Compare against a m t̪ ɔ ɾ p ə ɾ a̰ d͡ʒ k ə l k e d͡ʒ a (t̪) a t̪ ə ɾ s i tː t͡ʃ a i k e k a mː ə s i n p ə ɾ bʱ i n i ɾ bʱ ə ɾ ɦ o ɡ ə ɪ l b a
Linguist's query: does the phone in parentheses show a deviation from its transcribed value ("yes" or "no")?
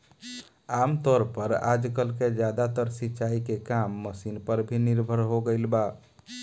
yes